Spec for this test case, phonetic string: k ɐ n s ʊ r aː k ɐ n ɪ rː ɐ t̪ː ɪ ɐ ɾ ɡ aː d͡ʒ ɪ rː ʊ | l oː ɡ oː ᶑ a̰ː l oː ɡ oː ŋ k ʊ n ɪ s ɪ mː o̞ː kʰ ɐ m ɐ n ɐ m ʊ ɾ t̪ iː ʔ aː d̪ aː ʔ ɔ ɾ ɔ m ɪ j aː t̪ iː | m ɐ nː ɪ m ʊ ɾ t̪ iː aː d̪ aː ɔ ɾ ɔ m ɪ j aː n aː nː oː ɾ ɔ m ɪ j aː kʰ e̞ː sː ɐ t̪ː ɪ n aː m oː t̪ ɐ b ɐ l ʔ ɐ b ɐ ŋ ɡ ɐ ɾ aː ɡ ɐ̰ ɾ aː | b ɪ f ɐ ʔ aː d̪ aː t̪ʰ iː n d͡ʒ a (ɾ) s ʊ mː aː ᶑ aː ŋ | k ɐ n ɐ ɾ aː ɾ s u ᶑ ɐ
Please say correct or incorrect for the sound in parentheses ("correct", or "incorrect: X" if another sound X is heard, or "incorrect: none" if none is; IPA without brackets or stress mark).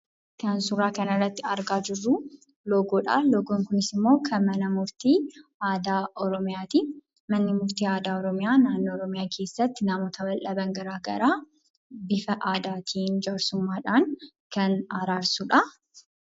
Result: correct